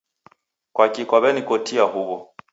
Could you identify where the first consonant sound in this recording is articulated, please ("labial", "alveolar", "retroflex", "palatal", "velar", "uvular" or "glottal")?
velar